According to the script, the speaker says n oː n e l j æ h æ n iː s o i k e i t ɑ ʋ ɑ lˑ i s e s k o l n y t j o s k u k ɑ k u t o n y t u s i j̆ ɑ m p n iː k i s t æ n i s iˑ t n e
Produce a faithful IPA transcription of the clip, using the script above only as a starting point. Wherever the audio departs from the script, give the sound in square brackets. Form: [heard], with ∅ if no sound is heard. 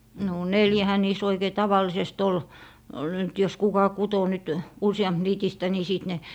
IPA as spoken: n [o] n e l j æ h æ n iː s o i k e i t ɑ ʋ ɑ lˑ i s e s [t] o l n y t j o s k u k ɑ k u t o n y t u s i j̆ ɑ m p n iː [t] i s t æ n i s iˑ t n e